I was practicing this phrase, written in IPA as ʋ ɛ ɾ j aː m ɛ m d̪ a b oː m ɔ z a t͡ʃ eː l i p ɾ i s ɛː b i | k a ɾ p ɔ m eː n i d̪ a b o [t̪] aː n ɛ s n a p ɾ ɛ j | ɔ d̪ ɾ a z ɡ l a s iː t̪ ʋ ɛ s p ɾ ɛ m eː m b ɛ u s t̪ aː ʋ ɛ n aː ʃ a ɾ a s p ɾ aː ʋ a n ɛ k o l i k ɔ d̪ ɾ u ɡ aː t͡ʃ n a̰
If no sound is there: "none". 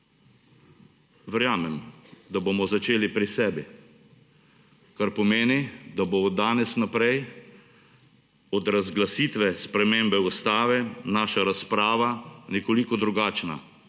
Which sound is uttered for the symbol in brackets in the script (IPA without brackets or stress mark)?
d̪